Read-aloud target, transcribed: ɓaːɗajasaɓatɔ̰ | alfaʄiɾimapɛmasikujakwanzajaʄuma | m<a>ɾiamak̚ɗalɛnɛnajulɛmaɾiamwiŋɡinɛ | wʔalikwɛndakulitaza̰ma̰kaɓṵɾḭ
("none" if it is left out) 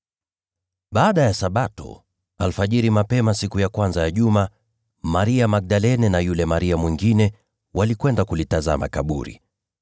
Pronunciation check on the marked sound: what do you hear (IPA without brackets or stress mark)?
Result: a